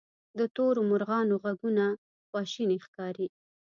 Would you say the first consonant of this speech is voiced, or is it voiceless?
voiced